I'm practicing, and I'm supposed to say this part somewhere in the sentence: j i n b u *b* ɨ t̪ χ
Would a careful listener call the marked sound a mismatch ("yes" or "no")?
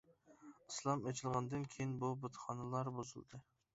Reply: no